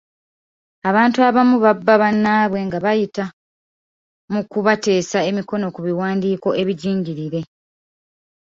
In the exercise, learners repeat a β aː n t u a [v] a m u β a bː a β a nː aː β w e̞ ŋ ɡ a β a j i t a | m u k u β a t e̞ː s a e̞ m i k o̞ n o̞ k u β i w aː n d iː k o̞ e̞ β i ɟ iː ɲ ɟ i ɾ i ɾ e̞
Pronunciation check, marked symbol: incorrect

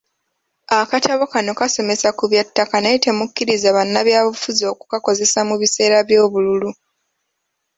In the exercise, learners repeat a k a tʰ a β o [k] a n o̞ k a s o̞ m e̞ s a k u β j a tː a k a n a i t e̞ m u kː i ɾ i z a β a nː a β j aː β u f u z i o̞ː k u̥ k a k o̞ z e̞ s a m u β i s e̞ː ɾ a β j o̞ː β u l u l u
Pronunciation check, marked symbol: correct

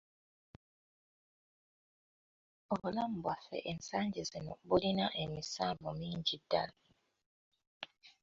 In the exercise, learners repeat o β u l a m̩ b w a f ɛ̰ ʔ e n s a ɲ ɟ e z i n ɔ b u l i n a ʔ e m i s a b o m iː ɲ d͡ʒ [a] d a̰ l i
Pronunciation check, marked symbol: incorrect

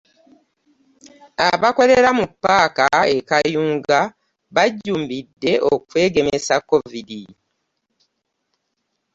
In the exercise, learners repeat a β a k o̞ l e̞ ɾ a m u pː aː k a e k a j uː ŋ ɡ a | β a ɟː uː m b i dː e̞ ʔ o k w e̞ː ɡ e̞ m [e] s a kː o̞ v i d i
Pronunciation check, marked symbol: correct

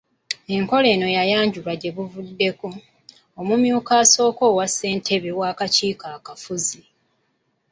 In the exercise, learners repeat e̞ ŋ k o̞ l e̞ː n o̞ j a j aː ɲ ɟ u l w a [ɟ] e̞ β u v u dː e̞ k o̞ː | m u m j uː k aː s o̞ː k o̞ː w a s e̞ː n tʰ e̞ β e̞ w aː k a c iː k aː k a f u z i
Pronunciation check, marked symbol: correct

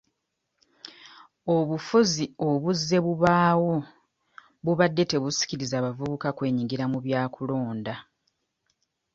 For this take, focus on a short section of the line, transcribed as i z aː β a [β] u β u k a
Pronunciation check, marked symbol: incorrect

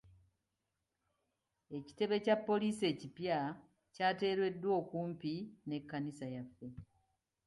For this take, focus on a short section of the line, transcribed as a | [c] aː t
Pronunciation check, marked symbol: correct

